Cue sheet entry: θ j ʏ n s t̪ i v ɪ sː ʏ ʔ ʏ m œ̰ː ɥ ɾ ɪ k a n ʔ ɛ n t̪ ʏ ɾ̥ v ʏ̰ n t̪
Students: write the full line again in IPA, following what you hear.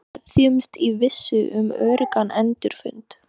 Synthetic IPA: θ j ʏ m s t̪ i v ɪ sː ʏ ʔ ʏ m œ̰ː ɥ ɾ ɪ k a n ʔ ɛ n t̪ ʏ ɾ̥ f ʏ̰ n t̪